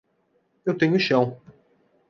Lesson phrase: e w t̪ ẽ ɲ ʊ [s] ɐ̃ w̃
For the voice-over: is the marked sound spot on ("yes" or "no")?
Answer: no